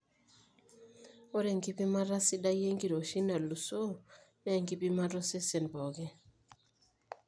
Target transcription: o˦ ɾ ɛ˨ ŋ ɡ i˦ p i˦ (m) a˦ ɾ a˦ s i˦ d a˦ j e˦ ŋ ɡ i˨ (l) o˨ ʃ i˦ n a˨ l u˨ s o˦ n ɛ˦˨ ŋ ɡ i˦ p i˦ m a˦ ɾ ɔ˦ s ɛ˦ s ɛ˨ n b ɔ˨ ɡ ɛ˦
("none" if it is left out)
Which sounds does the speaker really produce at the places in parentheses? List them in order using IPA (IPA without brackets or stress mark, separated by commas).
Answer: m, ɾ